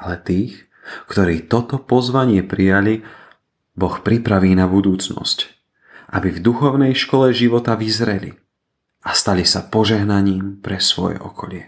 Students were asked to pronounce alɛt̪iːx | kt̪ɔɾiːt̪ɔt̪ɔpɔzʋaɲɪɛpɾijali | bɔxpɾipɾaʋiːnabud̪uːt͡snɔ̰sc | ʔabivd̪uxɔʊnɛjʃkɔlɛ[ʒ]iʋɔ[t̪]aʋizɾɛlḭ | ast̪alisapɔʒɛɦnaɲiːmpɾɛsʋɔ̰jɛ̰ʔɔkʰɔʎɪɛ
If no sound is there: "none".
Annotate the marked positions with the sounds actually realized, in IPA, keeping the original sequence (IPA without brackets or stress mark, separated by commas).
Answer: ʒ, t̪